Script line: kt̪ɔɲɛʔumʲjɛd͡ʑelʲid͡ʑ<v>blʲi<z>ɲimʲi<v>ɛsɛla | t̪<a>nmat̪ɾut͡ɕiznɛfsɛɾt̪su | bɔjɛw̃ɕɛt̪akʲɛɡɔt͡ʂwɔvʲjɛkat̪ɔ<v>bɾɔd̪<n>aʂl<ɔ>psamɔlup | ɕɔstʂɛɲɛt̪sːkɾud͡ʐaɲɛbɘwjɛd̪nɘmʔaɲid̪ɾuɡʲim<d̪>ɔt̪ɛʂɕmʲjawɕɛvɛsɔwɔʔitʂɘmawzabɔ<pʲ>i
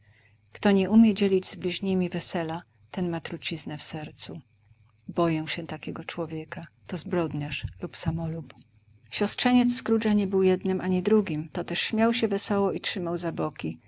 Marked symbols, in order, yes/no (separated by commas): no, no, yes, no, no, no, no, no, no